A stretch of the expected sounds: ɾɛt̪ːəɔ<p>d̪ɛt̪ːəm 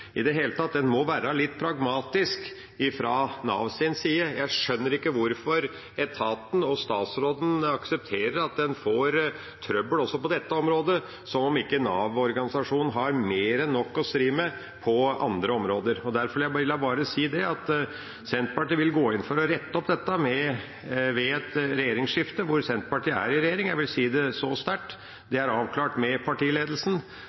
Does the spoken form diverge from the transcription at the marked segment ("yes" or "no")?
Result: no